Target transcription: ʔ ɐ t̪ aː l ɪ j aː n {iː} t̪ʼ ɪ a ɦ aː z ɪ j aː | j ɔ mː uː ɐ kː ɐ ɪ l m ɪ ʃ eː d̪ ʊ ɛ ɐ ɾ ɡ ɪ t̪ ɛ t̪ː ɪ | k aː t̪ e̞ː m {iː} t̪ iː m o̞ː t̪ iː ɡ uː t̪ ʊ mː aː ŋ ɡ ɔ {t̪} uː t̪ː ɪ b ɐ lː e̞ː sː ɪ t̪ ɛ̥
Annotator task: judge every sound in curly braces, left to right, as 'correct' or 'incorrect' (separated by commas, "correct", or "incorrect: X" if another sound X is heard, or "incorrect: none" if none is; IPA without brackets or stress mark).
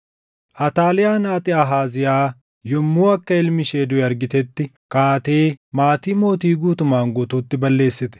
incorrect: aː, incorrect: aː, correct